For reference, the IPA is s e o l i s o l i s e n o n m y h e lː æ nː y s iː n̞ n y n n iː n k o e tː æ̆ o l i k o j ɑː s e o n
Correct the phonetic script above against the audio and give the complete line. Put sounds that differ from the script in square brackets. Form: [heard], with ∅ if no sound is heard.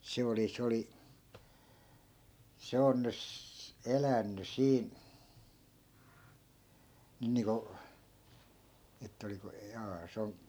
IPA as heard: s e o l i s o l i s e [∅] o n [n] y [s] e [l] æ nː y s iː n̞ n y n n iː [ŋ] k o e tː æ̆ o l i k o j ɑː s e o n

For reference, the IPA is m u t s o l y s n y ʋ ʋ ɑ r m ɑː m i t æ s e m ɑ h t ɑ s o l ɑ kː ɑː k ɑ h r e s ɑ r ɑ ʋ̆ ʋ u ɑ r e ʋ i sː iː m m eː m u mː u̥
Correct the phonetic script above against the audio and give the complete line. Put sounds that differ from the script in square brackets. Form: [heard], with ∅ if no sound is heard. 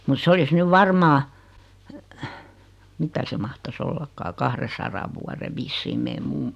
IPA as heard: m u t s o l [i] s n y ʋ ʋ ɑ r m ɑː m i t æ s e m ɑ h t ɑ s o [lː] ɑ kː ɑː k ɑ h r e s ɑ r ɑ ʋ̆ ʋ u ɑ r e ʋ i sː iː m m eː m u mː u̥

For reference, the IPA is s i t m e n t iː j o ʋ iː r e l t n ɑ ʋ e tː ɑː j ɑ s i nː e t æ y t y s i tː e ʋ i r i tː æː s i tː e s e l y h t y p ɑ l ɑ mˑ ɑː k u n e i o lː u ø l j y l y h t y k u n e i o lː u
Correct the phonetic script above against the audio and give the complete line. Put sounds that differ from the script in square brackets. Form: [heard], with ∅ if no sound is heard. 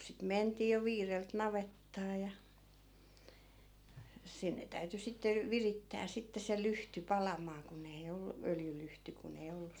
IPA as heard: s i t m e n t iː j o ʋ iː r e l t n ɑ ʋ e tː ɑː j ɑ s i nː e t æ y t y s i tː e ʋ i r i tː æː s i tː e s e l y h t y p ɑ l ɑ mˑ ɑː k u n e i o lː u ø l j y l y h t y k u n e i o lː u

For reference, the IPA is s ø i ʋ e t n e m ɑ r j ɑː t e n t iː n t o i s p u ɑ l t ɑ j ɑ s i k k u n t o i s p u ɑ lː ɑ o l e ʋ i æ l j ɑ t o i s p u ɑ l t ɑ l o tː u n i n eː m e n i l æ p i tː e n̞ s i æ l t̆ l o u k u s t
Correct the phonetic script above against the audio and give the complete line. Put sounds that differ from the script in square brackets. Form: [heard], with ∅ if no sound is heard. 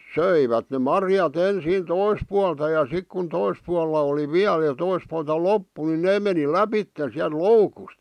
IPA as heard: s ø i ʋ [æ] t n e m ɑ r j [ɑ] t e n [s] iː n t o i s p u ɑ l t ɑ j ɑ s i k k u n t o i s p u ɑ lː ɑ o l [i] ʋ i æ l j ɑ t o i s p u ɑ l t ɑ l o [pː] u n i n eː m e n i l æ p i tː e n̞ s i æ l t̆ l o u k u s t

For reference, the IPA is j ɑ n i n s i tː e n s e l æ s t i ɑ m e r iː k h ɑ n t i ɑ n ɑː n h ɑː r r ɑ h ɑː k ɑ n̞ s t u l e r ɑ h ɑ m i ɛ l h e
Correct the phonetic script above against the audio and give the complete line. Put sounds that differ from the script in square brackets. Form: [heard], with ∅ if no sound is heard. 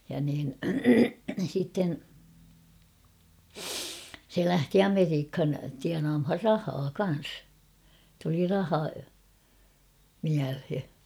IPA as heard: j ɑ n [iː] n s i tː e n s e l æ [h] t i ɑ m e r iː k h ɑ n t i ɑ n ɑː [m] h [ɑ] r r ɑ h ɑː k ɑ n̞ s t u l [i] r ɑ h ɑ m i [æ] l h e

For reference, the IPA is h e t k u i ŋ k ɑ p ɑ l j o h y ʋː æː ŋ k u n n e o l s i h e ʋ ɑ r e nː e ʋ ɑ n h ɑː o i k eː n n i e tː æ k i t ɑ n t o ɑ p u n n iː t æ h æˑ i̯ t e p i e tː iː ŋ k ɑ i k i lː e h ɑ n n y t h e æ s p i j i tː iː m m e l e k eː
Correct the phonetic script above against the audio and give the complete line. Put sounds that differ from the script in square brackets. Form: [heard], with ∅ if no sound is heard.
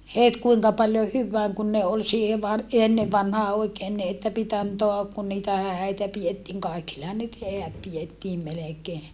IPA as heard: h e t k u i ŋ k ɑ p ɑ l j o h y ʋː æː ŋ k u n n e o l s [iː] h e ʋ ɑ r e nː e ʋ ɑ n h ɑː o i k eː n n i e tː æ [p] i t ɑ n t o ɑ [k] u n n iː t æ h æˑ i̯ t [æ] p i e tː iː ŋ k ɑ i k i lː e h ɑ n n y t h e æ [t] p i j [e] tː iː m m e l e k eː

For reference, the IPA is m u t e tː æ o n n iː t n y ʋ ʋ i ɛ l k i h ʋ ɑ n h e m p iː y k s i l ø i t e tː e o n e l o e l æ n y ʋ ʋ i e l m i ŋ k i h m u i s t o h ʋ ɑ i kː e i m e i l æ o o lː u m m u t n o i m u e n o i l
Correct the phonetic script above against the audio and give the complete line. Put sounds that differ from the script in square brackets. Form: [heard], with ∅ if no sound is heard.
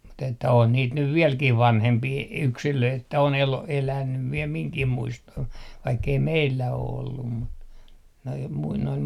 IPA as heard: m u t e tː æ o n n iː t n y ʋ ʋ i ɛ l k i h ʋ ɑ n h e m p iː y k s i l ø i t e tː [æ] o n e l o e l æ n y ʋ ʋ i e l m i ŋ k i h m u i s t o h ʋ ɑ i kː e i m e i [lː] æ o o lː u m m u t n o i m u [i] n o i l

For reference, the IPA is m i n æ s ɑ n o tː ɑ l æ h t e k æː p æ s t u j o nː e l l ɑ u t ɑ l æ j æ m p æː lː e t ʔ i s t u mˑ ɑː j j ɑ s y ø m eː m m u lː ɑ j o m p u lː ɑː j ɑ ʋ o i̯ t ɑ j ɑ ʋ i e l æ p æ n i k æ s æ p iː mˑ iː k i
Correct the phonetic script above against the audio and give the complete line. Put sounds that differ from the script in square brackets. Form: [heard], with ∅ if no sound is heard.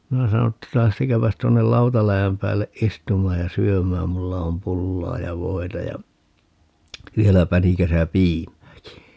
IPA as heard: m i n æ s ɑ n o tː ɑ l æ h t e k æː p æ s t u [∅] o nː e l l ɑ u t ɑ l æ j æ m p æː lː e [ʔ] ʔ i s t u mˑ ɑː j j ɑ s y ø m [æː] m m u lː ɑ [∅] o m p u lː ɑː j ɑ ʋ o i̯ t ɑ j ɑ ʋ i e l æ p æ n i k æ s æ p iː mˑ [æː] k i

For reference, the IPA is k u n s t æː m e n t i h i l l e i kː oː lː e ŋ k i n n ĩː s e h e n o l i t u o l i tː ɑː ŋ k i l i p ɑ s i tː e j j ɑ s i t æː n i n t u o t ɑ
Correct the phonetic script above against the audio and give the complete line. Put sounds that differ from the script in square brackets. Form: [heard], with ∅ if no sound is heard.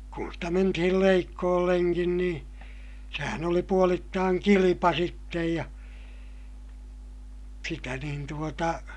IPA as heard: k u n s t [æ] m e n t i h i l l e i kː oː lː e ŋ k i n n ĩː s e h [æ] n o l i [p] u o l i tː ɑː ŋ k i l i p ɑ s i tː e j j ɑ s i t [æ] n i n t u o t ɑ

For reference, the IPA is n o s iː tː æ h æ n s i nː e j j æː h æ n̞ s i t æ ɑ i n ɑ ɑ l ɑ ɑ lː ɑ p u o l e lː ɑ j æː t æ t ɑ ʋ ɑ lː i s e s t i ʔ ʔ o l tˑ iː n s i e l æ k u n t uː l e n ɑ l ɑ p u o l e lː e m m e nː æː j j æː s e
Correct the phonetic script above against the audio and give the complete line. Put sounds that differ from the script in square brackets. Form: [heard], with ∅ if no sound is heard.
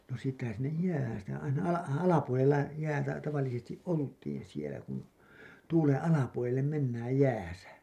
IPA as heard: n o s iː tː æ h æ n s i nː e j j æː h æ n̞ s i t æ ɑ i n ɑ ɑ l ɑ ɑ [l] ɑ p u o l e lː ɑ j æː t æ t ɑ ʋ ɑ lː i s e s t i ʔ ʔ o l tˑ iː n s i e l æ k u n t uː l e n ɑ l ɑ p u o l e lː e m m e nː æː j j æː s [æ]

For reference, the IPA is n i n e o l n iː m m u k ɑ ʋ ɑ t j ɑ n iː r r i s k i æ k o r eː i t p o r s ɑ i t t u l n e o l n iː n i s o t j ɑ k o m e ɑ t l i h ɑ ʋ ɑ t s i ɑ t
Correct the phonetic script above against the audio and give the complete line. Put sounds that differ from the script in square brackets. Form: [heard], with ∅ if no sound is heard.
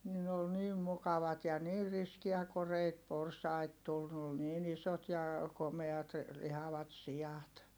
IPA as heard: n i n e o l n iː m m u k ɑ ʋ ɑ t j ɑ n iː r r i s k i æ k o r [e] i t p o r s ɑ i t t u l n e o l n iː n i s o t j ɑ k o m e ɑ t l i h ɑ ʋ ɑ t s i ɑ t

